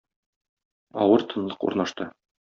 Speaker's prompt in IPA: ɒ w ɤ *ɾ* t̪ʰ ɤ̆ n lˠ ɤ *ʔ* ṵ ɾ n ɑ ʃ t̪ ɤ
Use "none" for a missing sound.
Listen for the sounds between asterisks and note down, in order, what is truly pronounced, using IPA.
ɾ, q

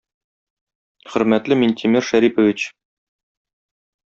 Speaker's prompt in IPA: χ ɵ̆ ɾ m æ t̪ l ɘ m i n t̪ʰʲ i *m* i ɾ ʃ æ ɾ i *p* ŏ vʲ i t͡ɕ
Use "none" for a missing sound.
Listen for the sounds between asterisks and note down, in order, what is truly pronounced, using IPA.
m, p

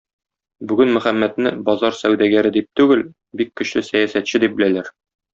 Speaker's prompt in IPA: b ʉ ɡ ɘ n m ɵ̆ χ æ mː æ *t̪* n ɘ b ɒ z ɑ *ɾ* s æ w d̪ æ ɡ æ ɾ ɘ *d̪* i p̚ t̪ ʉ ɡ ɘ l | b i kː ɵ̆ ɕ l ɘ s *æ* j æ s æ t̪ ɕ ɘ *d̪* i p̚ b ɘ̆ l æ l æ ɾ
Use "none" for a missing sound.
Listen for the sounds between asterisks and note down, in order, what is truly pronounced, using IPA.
t̪, ɾ, d̪, æ, d̪

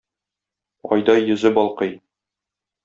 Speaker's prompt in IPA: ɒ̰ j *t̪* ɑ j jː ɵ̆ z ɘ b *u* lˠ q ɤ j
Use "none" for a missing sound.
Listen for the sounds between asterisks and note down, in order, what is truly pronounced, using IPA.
d̪, ɒ

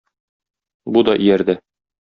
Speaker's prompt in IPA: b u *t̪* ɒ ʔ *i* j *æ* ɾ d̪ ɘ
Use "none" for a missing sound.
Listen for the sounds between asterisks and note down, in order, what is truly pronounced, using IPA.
d̪, i, æ

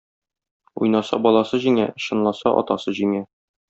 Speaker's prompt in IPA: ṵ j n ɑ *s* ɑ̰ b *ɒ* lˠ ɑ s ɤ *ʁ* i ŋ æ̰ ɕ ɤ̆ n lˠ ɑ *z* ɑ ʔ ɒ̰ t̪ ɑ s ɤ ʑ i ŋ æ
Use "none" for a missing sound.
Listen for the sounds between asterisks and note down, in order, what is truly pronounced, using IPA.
s, ɒ, ʑ, s

